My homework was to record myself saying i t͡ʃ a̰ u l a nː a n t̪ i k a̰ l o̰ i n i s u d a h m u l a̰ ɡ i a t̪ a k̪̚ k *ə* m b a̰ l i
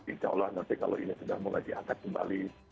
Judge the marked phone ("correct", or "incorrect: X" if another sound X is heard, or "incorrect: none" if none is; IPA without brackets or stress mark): correct